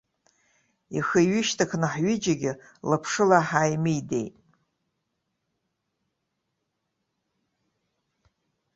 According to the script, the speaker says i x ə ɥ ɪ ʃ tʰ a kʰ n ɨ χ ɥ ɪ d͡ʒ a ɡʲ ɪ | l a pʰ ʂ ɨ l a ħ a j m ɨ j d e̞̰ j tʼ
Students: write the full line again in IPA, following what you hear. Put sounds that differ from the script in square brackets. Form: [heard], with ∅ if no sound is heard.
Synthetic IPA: i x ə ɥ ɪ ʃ tʰ a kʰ n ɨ [ħ] ɥ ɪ d͡ʒ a ɡʲ ɪ | l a pʰ ʂ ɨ l a ħ a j m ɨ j d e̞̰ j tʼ